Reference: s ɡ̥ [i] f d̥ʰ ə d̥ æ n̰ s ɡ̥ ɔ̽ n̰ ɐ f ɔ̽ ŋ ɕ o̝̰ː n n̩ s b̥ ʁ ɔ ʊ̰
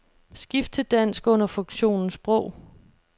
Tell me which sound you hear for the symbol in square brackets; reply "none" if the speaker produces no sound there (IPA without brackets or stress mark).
i